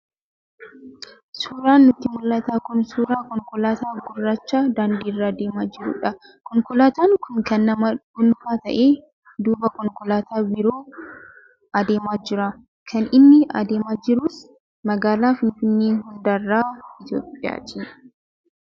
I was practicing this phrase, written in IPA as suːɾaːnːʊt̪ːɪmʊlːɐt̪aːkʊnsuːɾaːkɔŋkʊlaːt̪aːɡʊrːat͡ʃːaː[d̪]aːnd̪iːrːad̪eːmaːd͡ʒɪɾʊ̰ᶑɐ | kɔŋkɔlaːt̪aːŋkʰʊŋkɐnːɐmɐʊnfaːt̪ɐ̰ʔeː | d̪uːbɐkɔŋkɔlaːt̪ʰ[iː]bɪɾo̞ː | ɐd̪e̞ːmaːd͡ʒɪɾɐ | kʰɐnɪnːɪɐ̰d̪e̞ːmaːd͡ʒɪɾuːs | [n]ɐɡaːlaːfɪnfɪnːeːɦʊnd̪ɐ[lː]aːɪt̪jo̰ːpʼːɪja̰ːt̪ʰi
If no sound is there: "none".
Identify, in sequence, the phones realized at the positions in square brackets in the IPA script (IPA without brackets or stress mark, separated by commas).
d̪, aː, m, rː